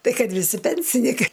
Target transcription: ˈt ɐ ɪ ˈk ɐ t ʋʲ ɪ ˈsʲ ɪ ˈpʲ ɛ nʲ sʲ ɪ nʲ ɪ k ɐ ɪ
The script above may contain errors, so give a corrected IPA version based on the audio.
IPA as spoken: ˈt ɐ ɪ ˈk ɐ t ʋʲ ɪ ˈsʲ ɪ ˈpʲ ɛ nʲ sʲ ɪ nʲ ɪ k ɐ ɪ

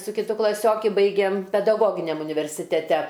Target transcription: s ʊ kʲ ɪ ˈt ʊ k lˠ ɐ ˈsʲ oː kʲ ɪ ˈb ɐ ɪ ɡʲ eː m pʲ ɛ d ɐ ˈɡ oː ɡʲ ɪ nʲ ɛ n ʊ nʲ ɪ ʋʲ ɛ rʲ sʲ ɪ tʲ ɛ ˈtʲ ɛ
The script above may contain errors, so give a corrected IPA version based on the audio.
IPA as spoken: s ʊ kʲ ɪ ˈt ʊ k lˠ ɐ ˈsʲ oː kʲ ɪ ˈb ɐ ɪ ɡʲ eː m pʲ ɛ d ɐ ˈɡ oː ɡʲ ɪ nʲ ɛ m ʊ nʲ ɪ ʋʲ ɛ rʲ sʲ ɪ tʲ ɛ ˈtʲ ɛ

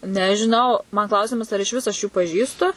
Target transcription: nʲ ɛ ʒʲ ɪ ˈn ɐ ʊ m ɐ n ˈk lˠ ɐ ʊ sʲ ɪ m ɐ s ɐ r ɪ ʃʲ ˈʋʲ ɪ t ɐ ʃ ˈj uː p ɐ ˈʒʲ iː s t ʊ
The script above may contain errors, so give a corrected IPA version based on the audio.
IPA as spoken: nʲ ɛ ʒʲ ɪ ˈn ɐ ʊ m ɐ n ˈk lˠ ɐ ʊ sʲ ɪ m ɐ s ɐ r ɪ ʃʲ ˈʋʲ ɪ s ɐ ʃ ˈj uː p ɐ ˈʒʲ iː s t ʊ

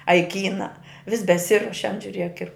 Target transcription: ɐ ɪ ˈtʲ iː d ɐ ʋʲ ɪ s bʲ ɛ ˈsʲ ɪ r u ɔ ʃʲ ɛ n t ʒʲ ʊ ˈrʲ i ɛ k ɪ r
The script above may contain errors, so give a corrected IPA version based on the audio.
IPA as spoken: ɐ ɪ ˈkʲ iː n ɐ ʋʲ ɪ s bʲ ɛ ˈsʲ ɪ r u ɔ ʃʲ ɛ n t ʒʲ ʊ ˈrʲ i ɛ k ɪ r

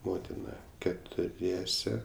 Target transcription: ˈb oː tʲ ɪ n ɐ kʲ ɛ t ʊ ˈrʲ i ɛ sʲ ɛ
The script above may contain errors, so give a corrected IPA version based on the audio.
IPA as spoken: ˈm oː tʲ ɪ n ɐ kʲ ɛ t ʊ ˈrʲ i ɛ sʲ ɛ

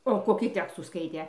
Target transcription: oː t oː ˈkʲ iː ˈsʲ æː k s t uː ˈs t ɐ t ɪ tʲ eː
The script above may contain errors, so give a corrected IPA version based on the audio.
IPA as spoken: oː k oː ˈkʲ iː ˈtʲ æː k s t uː ˈs k ɐ ɪ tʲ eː

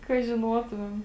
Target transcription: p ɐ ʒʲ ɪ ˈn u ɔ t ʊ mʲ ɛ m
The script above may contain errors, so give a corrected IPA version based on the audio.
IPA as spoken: k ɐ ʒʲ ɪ ˈn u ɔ t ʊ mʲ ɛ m

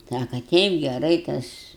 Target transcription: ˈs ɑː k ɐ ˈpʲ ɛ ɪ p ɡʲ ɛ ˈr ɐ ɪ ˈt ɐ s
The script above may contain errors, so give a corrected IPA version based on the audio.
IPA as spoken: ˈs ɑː k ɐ ˈtʲ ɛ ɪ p ɡʲ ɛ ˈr ɐ ɪ ˈt ɐ s

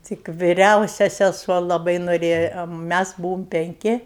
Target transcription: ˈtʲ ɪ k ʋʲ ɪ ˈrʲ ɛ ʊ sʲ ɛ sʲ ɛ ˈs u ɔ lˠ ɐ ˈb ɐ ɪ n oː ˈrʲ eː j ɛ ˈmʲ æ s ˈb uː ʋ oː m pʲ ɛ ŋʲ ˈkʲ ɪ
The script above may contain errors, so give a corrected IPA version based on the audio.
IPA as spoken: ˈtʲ ɪ k ʋʲ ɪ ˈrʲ ɛ ʊ sʲ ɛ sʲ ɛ ˈs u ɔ lˠ ɐ ˈb ɐ ɪ n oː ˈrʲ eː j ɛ ˈmʲ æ s ˈb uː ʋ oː m pʲ ɛ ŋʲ ˈkʲ ɪ

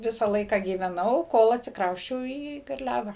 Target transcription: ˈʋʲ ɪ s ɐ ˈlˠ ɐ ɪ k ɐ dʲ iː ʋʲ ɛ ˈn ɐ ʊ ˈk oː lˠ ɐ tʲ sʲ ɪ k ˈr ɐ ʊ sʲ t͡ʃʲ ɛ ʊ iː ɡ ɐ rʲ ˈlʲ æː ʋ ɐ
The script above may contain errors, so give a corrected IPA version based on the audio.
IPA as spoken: ˈʋʲ ɪ s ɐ ˈlˠ ɐ ɪ k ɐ ɡʲ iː ʋʲ ɛ ˈn ɐ ʊ ˈk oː lˠ ɐ tʲ sʲ ɪ k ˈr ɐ ʊ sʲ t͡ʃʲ ɛ ʊ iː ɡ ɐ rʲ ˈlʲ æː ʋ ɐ

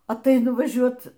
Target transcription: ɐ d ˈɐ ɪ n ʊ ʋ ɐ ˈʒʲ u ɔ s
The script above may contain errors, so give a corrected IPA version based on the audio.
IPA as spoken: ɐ t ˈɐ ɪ n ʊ ʋ ɐ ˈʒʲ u ɔ t

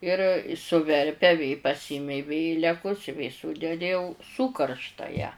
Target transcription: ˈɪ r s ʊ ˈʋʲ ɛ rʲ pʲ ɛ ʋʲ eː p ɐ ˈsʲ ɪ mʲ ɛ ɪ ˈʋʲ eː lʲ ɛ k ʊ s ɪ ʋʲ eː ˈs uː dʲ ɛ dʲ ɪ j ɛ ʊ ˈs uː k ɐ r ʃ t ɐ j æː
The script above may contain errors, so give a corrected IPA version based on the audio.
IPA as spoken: ˈɪ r s ʊ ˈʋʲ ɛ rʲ pʲ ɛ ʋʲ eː p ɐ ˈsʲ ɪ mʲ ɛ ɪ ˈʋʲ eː lʲ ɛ k ʊ s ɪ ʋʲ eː ˈs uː dʲ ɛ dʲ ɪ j ɛ ʊ ˈs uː k ɐ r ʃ t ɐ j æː

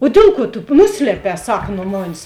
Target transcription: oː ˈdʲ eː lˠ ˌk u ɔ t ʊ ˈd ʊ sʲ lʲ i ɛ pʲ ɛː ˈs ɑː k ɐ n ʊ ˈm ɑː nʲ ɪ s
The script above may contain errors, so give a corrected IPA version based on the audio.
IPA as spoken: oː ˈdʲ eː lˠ ˌk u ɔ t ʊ ˈn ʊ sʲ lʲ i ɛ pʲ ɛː ˈs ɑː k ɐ n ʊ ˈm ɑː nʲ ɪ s

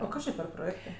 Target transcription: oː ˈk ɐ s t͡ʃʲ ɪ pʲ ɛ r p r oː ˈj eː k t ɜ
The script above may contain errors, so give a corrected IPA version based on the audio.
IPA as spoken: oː ˈk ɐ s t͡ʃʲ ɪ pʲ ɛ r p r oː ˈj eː k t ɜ

